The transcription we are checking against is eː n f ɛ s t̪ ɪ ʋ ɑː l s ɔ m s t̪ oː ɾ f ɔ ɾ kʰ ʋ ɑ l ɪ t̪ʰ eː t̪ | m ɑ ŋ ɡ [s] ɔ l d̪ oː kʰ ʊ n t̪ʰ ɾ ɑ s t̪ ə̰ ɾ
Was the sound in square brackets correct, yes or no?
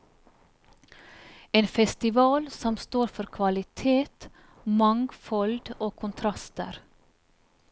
no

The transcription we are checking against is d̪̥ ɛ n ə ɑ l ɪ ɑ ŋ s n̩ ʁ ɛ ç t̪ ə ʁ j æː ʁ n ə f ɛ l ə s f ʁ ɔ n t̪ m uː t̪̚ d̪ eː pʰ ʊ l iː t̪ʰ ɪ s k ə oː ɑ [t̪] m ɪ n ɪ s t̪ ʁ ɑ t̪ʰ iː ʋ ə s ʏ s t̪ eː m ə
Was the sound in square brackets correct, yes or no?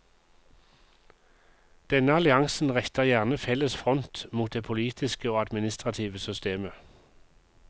no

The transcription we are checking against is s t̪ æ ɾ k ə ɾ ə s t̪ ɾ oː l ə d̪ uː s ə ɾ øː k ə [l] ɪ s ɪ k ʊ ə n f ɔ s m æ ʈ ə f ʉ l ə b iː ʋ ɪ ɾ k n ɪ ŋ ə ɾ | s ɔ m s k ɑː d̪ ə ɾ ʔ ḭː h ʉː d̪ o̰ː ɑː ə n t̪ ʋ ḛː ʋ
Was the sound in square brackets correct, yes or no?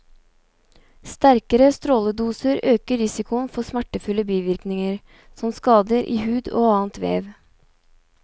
no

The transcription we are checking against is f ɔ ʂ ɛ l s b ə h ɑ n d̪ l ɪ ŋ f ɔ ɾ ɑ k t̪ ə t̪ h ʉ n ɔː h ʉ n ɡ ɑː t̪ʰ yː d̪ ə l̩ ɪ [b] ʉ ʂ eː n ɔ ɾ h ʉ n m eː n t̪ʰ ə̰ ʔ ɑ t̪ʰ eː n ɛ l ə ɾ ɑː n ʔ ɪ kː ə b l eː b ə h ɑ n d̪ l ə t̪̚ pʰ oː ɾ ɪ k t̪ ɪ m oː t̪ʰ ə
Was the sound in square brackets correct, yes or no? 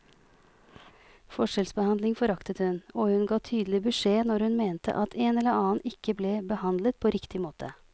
yes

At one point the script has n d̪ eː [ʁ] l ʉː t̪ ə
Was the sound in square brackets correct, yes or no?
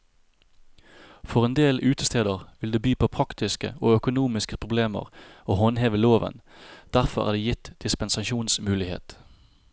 no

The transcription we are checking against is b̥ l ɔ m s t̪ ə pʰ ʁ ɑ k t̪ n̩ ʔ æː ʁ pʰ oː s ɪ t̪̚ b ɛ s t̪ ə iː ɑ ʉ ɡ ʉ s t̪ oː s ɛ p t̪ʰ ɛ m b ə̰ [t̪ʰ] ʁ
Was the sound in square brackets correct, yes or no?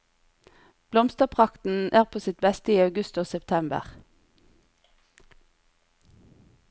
no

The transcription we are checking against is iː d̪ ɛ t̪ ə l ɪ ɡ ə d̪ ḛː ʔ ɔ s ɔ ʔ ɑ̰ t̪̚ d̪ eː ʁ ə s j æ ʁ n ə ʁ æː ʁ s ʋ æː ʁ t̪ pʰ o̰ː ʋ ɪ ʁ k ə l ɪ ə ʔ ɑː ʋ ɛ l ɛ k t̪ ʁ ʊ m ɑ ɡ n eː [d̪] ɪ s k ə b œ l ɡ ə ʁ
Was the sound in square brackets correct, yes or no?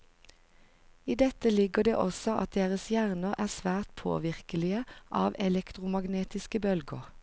no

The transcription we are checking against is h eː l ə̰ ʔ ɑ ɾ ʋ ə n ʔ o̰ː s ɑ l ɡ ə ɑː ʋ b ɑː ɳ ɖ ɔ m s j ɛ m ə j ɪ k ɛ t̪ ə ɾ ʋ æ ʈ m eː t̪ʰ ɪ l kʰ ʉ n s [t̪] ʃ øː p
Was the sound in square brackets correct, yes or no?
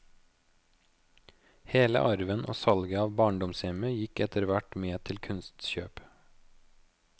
yes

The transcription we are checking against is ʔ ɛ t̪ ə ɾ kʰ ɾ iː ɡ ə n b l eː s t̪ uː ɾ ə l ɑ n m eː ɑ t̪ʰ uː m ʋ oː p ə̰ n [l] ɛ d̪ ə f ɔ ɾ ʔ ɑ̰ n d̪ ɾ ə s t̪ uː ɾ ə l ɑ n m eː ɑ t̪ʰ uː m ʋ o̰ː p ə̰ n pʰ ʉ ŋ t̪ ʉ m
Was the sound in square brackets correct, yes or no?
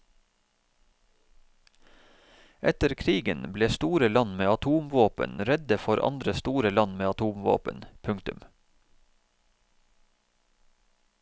no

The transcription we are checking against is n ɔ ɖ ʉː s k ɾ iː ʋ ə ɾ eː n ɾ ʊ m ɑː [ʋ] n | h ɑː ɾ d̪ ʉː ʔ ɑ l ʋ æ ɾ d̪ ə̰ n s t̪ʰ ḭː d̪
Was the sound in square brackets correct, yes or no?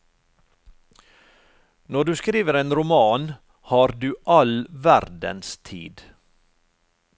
no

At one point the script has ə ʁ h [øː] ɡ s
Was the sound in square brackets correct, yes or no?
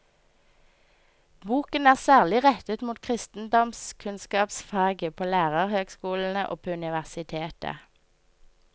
yes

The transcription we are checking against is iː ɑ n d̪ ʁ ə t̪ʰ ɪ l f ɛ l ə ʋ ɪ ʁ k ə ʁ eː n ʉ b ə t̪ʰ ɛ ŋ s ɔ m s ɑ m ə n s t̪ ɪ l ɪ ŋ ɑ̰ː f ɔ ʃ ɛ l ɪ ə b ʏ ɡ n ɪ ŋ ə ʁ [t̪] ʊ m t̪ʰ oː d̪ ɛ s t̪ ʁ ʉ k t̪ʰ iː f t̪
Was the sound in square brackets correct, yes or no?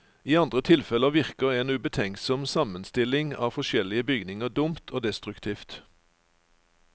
no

